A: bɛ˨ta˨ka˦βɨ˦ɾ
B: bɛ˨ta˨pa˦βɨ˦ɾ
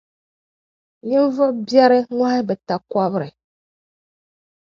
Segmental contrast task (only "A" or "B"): A